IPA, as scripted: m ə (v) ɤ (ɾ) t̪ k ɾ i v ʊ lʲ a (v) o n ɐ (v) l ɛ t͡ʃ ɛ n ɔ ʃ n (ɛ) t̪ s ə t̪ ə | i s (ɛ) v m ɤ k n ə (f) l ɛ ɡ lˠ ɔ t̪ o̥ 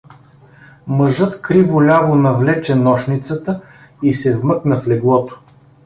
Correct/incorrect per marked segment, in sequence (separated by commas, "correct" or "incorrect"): incorrect, incorrect, correct, correct, incorrect, correct, correct